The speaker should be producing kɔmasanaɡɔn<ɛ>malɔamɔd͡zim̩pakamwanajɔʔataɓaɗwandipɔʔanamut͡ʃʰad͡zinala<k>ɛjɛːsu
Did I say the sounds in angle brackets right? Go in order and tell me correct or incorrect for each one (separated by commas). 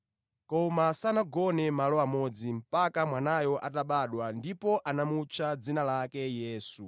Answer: correct, correct